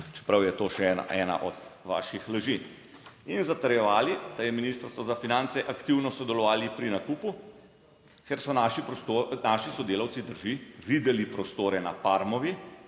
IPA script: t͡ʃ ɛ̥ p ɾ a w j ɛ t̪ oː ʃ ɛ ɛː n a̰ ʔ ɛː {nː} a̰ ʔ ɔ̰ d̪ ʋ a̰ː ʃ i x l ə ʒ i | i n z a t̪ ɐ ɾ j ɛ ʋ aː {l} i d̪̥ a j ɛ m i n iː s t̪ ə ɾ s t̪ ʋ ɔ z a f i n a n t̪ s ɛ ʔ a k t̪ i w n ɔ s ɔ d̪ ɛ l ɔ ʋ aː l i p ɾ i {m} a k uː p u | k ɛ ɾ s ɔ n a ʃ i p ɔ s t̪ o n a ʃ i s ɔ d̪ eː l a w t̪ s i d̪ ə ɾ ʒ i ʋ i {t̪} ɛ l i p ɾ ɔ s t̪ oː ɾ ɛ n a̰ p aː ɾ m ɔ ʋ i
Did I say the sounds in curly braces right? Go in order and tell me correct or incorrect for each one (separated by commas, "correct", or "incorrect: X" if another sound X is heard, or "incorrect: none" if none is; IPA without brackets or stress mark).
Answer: incorrect: n, correct, incorrect: n, incorrect: d̪